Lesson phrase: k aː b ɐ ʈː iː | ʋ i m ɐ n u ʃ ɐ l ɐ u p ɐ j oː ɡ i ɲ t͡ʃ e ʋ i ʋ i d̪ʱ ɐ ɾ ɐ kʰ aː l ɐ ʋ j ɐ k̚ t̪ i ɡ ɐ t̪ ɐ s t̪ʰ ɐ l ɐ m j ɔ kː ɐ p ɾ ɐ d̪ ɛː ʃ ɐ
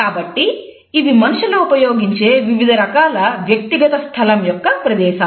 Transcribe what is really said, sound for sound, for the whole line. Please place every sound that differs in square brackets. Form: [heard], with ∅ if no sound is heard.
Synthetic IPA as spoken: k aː b ɐ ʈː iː | ʋ i m ɐ n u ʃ ɐ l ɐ u p ɐ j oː ɡ i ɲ t͡ʃ e ʋ i ʋ i d̪ʱ ɐ ɾ ɐ [k] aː l ɐ ʋ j ɐ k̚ t̪ i ɡ ɐ t̪ ɐ s t̪ʰ ɐ l ɐ m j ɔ kː ɐ p ɾ ɐ d̪ ɛː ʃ ɐ